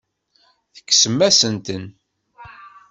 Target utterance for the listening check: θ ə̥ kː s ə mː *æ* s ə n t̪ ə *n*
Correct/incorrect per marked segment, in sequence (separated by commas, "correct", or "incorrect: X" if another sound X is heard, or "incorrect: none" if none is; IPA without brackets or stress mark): correct, correct